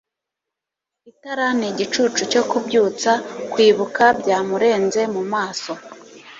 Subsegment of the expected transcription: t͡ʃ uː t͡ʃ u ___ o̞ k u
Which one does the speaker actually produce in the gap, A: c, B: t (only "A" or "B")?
A